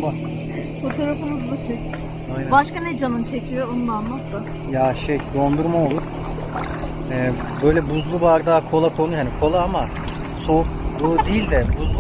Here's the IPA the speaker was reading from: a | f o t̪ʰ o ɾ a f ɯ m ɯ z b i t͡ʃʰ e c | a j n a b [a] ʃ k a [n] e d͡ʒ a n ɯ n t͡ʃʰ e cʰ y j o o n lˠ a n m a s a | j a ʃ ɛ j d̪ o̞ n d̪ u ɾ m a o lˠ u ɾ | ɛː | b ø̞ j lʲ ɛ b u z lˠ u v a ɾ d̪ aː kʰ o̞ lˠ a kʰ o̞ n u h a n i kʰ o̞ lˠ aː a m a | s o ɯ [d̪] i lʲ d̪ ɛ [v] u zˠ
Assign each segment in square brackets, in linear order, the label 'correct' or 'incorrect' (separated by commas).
correct, correct, correct, incorrect